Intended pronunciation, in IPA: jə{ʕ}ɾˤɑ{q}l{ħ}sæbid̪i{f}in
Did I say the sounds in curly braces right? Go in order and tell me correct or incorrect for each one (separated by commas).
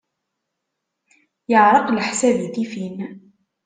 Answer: correct, correct, correct, correct